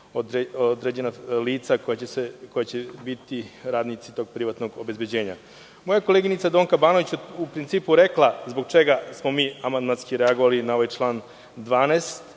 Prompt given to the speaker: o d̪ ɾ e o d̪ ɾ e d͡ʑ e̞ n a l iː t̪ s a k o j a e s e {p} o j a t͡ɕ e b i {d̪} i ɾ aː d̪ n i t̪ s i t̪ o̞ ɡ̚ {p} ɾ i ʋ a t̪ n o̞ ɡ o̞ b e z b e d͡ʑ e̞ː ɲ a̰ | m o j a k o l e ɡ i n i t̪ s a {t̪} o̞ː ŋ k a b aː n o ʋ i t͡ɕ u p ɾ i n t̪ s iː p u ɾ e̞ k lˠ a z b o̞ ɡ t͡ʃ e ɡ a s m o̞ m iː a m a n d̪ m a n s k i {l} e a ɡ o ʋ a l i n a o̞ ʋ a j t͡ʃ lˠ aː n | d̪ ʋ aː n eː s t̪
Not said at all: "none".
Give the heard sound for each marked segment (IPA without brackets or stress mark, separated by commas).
k, t̪, p, d̪, ɾ